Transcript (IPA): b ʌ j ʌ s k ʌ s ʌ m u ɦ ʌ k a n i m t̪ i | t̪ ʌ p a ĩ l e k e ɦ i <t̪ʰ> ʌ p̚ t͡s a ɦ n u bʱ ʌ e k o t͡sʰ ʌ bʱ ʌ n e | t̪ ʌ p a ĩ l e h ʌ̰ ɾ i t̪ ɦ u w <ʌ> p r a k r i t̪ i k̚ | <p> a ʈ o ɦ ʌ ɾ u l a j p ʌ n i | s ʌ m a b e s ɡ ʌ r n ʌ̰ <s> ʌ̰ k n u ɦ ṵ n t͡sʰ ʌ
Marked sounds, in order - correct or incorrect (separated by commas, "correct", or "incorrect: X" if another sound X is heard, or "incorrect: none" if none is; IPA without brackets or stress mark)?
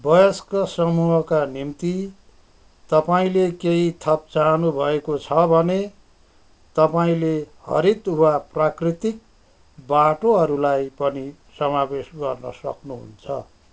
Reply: correct, incorrect: a, incorrect: b, correct